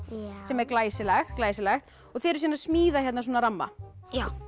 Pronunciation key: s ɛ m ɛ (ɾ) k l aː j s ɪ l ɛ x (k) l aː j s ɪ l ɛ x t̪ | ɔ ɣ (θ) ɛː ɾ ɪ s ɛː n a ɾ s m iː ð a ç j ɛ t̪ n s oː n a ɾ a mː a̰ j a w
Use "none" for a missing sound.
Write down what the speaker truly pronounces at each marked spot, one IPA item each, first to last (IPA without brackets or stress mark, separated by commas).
ɾ, k, θ